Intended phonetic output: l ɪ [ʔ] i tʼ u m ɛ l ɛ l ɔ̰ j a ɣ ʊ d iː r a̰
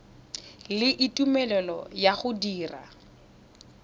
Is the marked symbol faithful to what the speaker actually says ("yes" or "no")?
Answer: yes